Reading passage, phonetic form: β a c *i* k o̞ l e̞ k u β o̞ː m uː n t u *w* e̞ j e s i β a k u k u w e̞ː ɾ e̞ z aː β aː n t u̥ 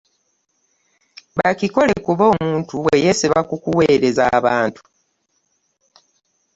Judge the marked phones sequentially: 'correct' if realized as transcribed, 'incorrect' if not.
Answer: correct, correct

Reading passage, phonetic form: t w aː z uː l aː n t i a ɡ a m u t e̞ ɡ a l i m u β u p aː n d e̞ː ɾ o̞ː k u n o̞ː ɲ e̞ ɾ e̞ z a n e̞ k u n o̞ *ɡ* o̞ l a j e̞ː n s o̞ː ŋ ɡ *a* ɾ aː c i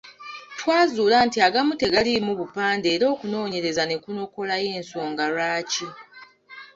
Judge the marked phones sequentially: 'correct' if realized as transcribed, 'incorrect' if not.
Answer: incorrect: k, correct

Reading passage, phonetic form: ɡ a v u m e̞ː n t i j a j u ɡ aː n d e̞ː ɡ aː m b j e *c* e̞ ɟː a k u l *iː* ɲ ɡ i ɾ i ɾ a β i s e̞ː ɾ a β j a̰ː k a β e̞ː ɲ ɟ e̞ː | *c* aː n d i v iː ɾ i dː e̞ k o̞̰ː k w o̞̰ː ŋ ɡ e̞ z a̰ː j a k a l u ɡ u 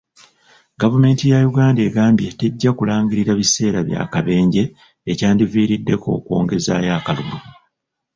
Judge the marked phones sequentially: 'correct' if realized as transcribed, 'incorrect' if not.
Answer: incorrect: t, incorrect: aː, correct

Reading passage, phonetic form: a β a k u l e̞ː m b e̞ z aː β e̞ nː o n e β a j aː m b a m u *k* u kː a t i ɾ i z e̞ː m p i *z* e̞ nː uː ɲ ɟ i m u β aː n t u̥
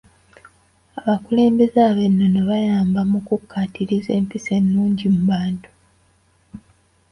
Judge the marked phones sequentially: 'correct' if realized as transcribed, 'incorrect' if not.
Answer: correct, incorrect: s

